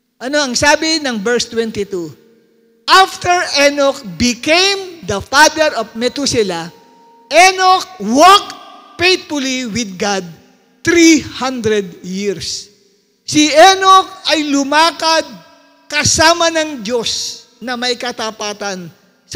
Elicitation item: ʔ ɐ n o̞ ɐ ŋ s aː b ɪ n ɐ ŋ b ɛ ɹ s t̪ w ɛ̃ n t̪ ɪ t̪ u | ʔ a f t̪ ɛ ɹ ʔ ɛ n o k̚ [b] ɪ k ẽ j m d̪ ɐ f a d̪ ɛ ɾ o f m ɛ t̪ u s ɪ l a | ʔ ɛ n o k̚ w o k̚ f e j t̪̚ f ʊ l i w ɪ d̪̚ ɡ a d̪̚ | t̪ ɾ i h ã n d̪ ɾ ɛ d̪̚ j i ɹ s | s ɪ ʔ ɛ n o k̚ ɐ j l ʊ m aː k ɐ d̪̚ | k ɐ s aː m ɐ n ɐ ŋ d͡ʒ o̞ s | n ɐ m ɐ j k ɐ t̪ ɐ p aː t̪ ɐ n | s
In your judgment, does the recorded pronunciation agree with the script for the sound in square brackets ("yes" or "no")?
yes